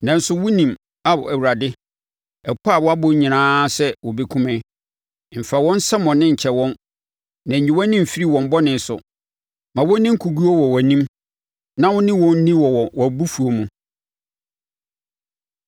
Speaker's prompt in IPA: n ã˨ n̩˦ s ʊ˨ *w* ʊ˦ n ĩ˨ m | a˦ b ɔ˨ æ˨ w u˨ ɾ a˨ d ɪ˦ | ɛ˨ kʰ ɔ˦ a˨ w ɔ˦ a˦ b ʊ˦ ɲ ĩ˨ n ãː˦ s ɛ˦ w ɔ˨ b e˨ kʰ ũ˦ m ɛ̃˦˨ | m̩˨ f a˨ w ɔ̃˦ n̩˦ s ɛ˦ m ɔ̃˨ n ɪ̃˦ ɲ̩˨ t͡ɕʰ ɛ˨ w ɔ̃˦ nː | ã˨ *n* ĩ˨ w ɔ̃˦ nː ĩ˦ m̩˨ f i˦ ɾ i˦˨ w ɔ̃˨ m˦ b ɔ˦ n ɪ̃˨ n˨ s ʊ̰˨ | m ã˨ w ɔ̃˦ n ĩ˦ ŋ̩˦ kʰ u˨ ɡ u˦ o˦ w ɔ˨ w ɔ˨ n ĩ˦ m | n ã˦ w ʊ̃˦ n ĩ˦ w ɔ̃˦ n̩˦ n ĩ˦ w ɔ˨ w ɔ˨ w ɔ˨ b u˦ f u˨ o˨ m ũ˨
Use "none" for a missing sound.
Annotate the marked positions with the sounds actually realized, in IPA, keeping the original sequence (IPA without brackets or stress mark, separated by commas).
w, ɲ